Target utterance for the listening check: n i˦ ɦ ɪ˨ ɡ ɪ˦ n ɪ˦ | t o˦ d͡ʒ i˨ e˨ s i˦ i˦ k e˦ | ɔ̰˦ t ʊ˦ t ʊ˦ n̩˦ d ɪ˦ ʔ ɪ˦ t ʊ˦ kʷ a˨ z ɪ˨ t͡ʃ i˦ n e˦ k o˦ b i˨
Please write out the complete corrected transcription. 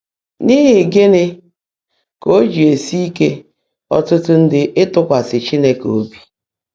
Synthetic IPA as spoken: n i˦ ɦ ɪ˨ ɡ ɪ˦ n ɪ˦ | k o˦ d͡ʒ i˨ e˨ s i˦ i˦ k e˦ | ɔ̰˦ t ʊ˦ t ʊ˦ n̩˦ d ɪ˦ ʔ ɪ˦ t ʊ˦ kʷ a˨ s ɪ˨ t͡ʃ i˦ n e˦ k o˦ b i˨

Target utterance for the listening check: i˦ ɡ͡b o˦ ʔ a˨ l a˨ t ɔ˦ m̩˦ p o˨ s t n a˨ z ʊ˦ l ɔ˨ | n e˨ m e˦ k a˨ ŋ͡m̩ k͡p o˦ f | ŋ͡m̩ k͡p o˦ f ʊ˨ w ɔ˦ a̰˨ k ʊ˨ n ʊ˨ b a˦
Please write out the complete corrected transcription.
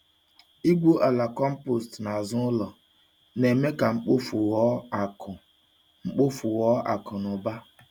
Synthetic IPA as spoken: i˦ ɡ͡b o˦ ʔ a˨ l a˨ k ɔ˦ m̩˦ p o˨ s t n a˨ z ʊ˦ l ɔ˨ | n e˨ m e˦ k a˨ ŋ͡m̩ k͡p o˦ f | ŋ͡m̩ k͡p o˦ f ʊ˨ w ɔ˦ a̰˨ k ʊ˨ n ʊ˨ b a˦

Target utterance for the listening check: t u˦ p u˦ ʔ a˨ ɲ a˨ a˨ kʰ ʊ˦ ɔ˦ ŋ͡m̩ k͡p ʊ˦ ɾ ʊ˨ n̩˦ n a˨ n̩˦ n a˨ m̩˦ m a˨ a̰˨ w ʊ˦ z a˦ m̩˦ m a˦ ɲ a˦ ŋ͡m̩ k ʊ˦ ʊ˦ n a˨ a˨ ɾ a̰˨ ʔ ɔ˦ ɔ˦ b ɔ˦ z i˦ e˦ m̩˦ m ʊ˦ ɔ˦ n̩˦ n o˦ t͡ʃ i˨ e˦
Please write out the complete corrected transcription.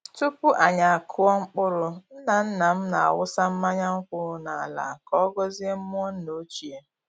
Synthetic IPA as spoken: t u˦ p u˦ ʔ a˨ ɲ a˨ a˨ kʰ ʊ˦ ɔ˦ ŋ͡m̩ k͡p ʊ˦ ɾ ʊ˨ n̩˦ n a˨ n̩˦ n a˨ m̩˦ n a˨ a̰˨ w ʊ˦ s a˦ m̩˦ m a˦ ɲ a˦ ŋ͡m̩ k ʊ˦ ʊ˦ n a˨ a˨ l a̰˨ k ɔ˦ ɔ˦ ɡ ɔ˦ z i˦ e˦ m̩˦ m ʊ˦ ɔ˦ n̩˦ n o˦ t͡ʃ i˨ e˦

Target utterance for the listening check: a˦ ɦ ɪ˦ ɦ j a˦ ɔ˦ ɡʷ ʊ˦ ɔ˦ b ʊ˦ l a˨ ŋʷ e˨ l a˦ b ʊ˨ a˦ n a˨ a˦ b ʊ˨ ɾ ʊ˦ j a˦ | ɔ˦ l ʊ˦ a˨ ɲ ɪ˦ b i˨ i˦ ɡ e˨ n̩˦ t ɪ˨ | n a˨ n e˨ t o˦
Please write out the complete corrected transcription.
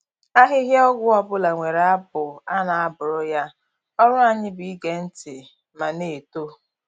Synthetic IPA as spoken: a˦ ɦ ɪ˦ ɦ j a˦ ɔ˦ ɡʷ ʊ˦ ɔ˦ b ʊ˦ l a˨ ŋʷ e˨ ɾ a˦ b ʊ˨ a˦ n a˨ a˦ b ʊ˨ ɾ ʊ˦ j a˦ | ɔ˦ ɾ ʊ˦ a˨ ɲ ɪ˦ b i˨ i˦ ɡ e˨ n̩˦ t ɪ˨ | m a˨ n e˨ t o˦

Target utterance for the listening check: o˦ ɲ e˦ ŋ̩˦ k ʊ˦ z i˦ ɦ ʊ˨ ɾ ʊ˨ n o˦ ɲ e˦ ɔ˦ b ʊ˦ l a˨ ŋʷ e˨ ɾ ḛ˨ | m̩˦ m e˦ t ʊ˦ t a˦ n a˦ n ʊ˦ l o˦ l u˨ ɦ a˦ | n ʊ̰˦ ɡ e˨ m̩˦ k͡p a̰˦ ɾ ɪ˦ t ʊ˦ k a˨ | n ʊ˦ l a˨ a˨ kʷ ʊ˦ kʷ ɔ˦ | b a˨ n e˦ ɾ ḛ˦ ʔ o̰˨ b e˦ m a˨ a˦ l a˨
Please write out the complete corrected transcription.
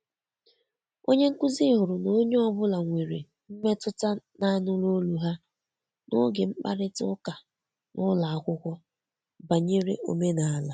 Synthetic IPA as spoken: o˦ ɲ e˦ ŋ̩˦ k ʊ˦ z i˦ ɦ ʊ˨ ɾ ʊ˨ n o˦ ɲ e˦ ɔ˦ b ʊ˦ l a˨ ŋʷ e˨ ɾ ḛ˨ | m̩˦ m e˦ t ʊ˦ t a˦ n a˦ n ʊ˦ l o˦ l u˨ ɦ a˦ | n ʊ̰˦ ɡ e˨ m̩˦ k͡p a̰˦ ɾ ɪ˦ t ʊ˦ k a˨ | n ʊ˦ l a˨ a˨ kʷ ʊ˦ kʷ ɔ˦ | b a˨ ɲ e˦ ɾ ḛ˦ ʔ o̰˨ m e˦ n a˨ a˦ l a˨

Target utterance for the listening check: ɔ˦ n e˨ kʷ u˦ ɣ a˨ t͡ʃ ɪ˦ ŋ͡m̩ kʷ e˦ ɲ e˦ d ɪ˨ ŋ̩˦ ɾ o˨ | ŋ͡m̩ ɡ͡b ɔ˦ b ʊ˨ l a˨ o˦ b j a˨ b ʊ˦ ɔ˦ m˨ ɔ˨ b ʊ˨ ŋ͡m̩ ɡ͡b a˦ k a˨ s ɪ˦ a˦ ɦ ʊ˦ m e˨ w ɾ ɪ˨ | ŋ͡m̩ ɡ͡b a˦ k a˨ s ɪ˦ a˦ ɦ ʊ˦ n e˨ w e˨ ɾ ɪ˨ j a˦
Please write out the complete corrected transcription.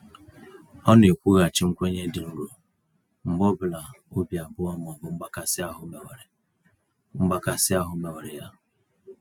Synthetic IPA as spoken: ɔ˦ n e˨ kʷ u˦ ɣ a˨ t͡ʃ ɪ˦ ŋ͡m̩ kʷ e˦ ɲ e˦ d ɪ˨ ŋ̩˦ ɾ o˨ | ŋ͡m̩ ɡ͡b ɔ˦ b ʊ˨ l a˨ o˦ b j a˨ b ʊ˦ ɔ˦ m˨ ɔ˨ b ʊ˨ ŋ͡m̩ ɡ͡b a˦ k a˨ s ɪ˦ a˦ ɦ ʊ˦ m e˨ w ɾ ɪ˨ | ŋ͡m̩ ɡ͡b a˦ k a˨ s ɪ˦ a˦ ɦ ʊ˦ m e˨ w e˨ ɾ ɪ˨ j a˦

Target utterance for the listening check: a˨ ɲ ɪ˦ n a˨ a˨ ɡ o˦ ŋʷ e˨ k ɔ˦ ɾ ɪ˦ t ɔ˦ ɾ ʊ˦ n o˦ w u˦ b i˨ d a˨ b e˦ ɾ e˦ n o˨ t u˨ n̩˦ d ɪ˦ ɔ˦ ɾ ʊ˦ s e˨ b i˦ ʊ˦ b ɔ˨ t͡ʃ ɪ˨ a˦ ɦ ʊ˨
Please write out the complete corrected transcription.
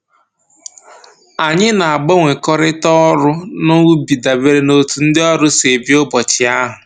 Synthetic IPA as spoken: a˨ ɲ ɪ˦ n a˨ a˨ ɡ͡b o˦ ŋʷ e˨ k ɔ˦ ɾ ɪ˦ t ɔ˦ ɾ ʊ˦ n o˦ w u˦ b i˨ d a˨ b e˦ ɾ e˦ n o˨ t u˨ n̩˦ d ɪ˦ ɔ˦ ɾ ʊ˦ s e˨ b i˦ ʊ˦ b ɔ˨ t͡ʃ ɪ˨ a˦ ɦ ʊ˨

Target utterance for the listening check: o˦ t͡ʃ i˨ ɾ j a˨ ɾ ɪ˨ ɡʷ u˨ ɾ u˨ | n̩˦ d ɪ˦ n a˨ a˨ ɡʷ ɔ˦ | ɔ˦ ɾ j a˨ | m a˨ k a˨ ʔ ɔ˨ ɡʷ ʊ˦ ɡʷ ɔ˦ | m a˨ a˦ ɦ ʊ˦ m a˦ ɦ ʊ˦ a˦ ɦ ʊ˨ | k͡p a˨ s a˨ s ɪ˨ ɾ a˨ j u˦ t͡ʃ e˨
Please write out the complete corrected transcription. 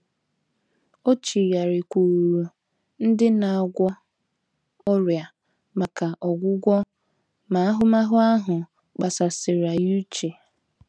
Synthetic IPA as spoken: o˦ t͡ʃ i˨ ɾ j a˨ ɾ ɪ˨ kʷ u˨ ɾ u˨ | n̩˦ d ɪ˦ n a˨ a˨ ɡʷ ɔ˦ | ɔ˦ ɾ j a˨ | m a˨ k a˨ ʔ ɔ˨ ɡʷ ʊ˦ ɡʷ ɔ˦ | m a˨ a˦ ɦ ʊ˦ m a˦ ɦ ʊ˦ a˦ ɦ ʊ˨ | k͡p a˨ s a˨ s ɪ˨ ɾ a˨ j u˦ t͡ʃ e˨

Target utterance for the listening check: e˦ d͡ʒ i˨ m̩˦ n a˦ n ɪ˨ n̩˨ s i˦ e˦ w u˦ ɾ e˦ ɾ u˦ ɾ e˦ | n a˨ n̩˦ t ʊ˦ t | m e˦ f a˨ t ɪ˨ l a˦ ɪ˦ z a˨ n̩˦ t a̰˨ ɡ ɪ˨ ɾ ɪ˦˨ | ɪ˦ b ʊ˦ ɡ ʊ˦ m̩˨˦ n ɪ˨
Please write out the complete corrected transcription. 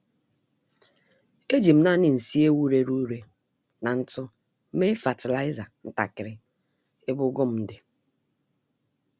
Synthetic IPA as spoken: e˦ d͡ʒ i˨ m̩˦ n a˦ n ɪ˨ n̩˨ s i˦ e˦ w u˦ ɾ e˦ ɾ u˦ ɾ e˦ | n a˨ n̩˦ t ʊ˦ | m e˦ f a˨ t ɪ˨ l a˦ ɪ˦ z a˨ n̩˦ t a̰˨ k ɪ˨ ɾ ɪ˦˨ | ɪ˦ b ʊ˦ ɡ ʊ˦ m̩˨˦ d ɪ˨

